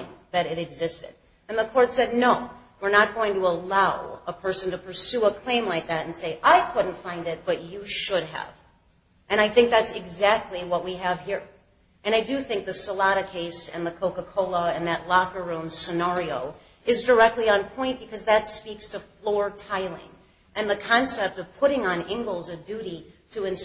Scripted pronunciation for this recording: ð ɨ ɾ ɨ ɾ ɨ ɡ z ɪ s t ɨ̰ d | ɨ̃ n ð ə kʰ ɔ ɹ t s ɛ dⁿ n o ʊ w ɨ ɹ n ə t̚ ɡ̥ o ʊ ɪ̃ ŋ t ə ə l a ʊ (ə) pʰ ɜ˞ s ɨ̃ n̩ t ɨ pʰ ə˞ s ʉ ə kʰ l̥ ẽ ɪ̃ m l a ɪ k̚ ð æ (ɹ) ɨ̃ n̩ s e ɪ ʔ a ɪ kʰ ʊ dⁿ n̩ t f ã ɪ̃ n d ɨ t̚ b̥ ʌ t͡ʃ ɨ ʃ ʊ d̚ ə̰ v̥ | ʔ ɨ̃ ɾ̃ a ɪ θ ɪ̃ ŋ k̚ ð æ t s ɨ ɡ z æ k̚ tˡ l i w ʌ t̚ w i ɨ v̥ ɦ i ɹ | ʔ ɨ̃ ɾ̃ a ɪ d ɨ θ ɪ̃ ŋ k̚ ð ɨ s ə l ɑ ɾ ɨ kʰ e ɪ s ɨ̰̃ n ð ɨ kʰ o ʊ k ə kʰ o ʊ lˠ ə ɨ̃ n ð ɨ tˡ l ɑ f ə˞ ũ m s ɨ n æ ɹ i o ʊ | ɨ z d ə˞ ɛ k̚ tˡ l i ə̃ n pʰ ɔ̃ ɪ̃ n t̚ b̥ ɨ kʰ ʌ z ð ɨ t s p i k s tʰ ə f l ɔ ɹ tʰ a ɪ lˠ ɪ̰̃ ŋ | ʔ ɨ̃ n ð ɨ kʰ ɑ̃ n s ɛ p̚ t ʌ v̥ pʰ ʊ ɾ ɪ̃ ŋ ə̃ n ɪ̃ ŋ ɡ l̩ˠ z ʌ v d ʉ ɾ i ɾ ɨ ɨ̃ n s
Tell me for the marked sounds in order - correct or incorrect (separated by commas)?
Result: correct, incorrect